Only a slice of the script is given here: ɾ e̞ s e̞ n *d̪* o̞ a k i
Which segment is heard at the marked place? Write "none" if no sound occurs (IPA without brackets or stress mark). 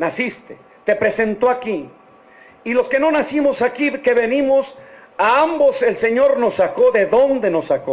t̪